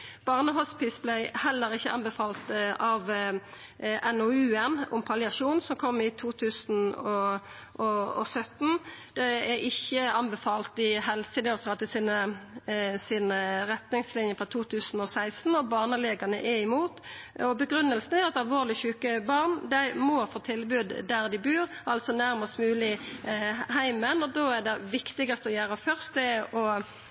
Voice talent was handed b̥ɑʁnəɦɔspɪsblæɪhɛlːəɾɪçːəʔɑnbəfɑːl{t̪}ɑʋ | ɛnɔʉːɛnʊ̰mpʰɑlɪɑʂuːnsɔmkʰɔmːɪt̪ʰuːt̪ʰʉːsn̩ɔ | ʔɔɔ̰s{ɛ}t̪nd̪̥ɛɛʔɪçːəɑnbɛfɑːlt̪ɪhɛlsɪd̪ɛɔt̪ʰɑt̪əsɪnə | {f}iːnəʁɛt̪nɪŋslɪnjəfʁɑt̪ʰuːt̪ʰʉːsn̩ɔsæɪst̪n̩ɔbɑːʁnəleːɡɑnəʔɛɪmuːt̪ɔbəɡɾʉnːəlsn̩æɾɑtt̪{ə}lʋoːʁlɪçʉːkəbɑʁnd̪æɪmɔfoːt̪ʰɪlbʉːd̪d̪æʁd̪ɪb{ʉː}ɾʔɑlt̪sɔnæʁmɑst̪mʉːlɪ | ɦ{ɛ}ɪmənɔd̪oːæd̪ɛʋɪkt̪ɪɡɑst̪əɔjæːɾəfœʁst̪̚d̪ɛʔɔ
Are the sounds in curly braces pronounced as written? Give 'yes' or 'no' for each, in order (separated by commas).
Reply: yes, no, no, no, yes, no